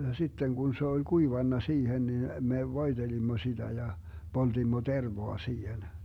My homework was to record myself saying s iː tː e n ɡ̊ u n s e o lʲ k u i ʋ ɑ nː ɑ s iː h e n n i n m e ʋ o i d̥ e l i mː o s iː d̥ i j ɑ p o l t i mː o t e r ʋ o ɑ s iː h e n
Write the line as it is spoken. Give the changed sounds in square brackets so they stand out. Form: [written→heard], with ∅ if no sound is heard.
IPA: s [iː→i] tː e [n→ŋ] ɡ̊ u n s e o lʲ k u i ʋ ɑ nː ɑ s iː h e n n i n m e ʋ o i d̥ e l i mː o s [iː→i] d̥ [i→æ] j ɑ p o l t i mː o t e r ʋ o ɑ s iː h e n